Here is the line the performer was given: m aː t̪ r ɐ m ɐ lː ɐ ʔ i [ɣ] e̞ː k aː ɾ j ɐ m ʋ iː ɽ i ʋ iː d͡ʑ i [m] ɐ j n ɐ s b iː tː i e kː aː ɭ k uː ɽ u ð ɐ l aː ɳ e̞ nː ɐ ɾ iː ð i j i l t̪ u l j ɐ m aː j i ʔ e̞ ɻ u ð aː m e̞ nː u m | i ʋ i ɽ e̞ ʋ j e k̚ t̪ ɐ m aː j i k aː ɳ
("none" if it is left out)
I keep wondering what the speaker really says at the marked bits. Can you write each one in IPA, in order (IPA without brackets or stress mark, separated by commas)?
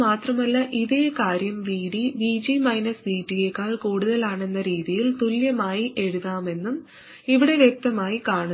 ð, m